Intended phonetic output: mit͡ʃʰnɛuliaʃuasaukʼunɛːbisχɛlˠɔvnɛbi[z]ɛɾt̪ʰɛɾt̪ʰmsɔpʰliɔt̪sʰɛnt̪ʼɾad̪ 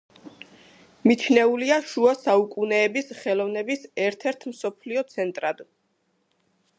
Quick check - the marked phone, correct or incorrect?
incorrect: s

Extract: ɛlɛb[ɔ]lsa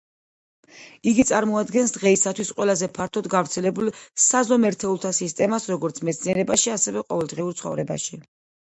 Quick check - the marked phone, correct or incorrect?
incorrect: u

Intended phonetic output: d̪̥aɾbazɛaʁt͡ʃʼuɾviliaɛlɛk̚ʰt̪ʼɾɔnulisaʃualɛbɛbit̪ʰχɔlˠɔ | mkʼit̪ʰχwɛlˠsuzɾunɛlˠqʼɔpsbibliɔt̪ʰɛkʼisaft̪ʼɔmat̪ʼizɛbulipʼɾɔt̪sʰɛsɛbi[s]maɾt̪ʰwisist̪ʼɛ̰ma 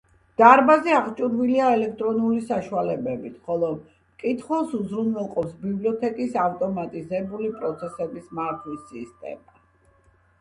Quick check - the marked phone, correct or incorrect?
correct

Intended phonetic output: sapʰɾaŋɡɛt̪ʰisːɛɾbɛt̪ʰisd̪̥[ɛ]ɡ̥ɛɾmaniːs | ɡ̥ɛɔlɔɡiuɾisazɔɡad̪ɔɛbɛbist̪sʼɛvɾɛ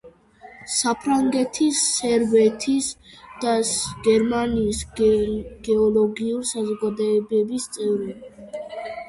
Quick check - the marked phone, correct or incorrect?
incorrect: a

